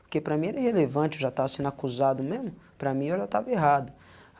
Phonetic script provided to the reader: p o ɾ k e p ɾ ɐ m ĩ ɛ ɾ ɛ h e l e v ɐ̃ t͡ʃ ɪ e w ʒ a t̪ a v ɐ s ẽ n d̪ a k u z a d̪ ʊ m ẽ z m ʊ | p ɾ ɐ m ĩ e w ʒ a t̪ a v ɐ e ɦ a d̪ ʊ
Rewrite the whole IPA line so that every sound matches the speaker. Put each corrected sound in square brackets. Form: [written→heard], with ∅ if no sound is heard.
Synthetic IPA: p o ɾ k e p ɾ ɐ m ĩ ɛ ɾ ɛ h e l e v ɐ̃ t͡ʃ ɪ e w ʒ a t̪ a v ɐ s ẽ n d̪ a k u z a d̪ ʊ m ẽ z m ʊ | p ɾ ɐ m ĩ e w ʒ a t̪ a v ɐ e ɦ a d̪ ʊ